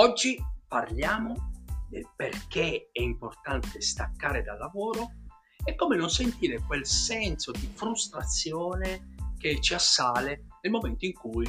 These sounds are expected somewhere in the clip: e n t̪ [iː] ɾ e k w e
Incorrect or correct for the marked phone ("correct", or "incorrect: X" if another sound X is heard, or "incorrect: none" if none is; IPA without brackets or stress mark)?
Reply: correct